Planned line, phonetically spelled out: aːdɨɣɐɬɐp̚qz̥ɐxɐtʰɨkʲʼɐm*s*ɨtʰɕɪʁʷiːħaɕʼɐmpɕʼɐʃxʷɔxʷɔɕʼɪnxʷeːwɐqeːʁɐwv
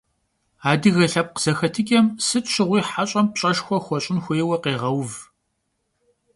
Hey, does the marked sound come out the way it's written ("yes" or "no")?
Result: yes